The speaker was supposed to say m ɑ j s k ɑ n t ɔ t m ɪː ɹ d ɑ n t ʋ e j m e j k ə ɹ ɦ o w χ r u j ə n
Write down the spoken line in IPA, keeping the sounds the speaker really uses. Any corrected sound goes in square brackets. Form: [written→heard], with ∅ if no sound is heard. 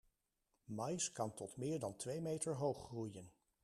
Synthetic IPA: m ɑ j s k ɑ n t ɔ t m ɪː ɹ d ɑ n t ʋ e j m e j [k→t] ə ɹ ɦ o w χ r u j ə n